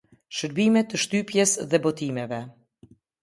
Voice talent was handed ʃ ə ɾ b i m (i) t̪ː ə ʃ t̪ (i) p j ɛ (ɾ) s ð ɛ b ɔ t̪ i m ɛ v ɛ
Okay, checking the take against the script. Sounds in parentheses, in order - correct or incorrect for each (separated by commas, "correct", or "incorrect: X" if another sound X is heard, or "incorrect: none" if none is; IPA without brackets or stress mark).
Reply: incorrect: ɛ, incorrect: y, incorrect: none